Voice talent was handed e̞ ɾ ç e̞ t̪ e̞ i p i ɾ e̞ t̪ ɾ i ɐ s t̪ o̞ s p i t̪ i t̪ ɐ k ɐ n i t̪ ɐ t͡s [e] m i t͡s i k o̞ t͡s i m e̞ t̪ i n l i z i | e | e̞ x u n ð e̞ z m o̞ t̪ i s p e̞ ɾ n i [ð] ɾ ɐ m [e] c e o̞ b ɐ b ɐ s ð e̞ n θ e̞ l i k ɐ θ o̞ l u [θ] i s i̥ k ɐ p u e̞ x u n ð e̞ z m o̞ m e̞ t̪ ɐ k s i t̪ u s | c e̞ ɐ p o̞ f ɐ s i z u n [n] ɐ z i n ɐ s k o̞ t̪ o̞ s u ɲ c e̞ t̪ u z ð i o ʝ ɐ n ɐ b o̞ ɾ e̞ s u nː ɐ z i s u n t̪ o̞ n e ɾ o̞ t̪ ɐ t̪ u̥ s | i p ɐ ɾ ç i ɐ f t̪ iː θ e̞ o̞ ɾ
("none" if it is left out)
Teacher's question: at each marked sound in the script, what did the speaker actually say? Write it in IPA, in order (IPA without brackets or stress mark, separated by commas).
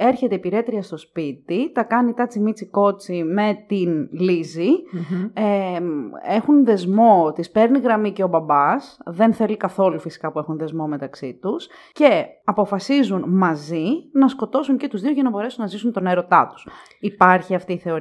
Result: i, ɣ, i, f, m